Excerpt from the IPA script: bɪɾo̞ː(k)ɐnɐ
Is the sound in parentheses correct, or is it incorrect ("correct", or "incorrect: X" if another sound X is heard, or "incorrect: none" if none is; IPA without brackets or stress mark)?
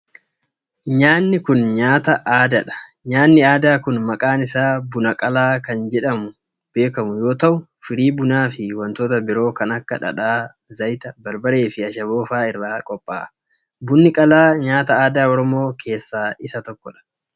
correct